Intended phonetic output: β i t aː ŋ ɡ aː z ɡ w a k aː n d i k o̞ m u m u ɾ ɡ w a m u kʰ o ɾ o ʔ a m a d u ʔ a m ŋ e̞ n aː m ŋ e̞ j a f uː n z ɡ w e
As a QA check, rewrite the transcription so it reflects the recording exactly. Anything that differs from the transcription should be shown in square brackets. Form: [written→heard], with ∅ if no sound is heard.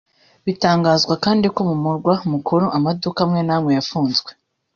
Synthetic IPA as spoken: β i t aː ŋ ɡ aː z ɡ w a k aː n d i k o̞ m u m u ɾ ɡ w a m u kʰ o ɾ o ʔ a m a d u [ʔ→k] a m ŋ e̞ n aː m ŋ e̞ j a f uː n z ɡ w e